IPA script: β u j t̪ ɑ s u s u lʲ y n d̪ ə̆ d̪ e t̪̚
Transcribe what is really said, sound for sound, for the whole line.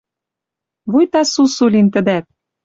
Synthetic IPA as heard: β u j t̪ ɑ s u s u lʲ i n t̪ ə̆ d̪ æ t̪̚

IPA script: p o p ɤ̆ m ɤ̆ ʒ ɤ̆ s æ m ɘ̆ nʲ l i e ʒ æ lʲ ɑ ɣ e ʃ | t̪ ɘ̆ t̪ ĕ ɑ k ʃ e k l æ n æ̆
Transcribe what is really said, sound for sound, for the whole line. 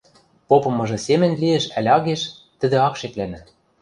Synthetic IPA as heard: p o p ɤ̆ m ɤ̆ ʒ ɤ̆ s e m ɘ̆ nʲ l i e ʃ æ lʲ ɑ ɣ e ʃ | t̪ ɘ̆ d̪ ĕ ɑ k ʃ e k l æ n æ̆

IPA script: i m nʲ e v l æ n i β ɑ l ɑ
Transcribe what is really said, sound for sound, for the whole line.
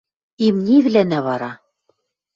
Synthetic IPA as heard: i m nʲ i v l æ n æ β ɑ ɾ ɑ

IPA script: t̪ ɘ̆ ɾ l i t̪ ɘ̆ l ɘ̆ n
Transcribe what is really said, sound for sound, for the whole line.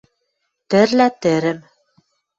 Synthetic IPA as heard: t̪ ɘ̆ ɾ l æ t̪ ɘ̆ ɾ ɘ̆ m

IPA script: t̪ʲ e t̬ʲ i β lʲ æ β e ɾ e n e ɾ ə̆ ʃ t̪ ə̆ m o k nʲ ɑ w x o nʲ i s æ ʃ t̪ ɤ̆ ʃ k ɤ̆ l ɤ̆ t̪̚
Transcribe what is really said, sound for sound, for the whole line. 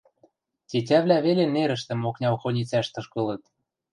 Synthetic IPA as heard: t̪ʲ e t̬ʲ æ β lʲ æ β e l e n e ɾ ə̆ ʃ t̪ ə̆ m o k nʲ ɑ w x o nʲ i t͡s æ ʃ t̪ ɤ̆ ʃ k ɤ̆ l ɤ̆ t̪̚

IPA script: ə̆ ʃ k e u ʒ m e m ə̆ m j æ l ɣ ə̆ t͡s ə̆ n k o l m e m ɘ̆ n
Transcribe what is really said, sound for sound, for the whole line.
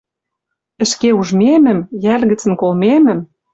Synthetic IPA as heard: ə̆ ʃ k e u ʒ m e m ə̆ m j æ l ɣ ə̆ t͡s ə̆ n k o l m e m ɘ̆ m

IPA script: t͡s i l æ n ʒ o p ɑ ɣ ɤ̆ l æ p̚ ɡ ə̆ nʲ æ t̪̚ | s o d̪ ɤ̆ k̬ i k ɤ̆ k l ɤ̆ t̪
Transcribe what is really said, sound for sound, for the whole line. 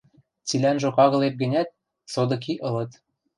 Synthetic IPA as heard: t͡s i l æ n ʒ o k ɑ ɣ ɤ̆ l e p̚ ɡ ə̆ nʲ æ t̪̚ | s o d̪ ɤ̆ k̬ i ʔ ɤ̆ l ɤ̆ t̪

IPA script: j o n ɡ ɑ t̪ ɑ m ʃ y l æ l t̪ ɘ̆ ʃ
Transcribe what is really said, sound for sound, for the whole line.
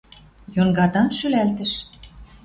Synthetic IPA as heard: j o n ɡ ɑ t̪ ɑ n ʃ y l æ l t̪ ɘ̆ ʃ

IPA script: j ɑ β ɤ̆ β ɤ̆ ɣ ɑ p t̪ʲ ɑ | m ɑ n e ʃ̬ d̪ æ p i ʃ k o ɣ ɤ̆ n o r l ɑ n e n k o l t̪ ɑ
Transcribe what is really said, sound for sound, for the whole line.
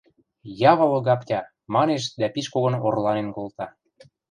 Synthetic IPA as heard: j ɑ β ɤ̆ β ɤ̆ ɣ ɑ p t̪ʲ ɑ | m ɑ n e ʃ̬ d̪ æ p i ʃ k o ɣ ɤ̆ n o r l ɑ n e n k o l t̪ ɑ

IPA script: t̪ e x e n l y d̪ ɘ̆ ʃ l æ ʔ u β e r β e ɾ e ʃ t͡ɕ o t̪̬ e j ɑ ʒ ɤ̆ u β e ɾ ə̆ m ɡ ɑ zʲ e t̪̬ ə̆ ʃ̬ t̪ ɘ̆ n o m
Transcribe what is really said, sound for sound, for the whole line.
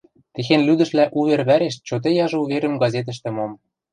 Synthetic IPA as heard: t̪ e x e n l y d̪ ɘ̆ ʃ l æ ʔ u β e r β æ ɾ e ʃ t͡ɕ o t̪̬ e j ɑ ʒ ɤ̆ u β e ɾ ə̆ m ɡ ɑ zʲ e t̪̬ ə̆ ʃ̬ t̪ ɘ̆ m o m

